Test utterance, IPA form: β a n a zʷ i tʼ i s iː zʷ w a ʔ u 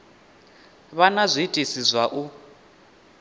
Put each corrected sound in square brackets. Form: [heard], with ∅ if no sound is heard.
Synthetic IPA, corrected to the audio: β a n a zʷ i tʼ i s [i] zʷ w a ʔ u